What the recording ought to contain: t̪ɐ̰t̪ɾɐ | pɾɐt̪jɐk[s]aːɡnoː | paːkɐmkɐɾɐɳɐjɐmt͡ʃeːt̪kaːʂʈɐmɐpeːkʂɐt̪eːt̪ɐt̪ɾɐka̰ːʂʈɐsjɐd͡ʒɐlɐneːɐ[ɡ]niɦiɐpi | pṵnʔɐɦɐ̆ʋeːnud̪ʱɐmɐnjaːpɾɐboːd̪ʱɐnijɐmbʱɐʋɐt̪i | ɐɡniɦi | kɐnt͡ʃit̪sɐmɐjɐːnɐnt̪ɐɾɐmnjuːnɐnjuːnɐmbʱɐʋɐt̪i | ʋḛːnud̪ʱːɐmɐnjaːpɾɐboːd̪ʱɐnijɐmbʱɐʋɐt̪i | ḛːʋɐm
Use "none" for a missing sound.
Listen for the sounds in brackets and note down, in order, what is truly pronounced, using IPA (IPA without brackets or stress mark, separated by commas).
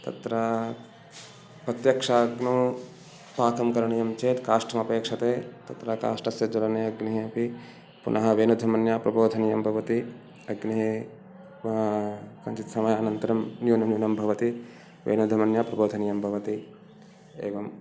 ʂ, ɡ